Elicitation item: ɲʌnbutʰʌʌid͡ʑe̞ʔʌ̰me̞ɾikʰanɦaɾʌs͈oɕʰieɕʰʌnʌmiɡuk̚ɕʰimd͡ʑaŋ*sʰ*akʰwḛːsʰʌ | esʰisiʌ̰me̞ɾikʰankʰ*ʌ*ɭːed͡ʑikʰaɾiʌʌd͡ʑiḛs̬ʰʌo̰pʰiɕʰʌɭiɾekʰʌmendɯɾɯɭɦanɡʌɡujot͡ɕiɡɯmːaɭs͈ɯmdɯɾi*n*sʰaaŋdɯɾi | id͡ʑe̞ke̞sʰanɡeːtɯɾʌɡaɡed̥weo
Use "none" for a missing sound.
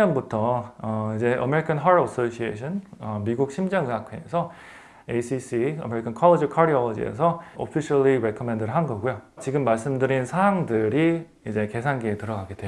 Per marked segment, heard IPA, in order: sʰ, ʌ, n

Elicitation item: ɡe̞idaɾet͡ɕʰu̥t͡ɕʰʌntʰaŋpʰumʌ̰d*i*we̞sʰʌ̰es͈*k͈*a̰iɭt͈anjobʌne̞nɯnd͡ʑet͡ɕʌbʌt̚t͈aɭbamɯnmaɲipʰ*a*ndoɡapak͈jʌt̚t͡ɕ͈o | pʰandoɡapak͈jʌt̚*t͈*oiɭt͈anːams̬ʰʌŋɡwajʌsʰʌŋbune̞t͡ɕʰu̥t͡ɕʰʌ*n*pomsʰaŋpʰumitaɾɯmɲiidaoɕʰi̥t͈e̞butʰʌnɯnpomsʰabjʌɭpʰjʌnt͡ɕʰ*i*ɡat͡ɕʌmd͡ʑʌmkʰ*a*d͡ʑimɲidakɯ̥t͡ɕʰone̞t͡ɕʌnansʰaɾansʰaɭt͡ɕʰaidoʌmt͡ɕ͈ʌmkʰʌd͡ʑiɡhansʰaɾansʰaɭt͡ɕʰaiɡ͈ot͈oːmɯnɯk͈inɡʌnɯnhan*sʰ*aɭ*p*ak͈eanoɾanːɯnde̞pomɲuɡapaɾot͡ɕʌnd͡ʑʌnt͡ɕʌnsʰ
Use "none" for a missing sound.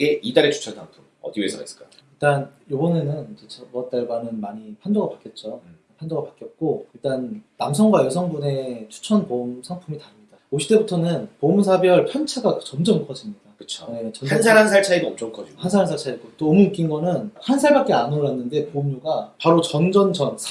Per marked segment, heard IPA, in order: i, k͈, a, k͈, n, a, ʌ, sʰ, b

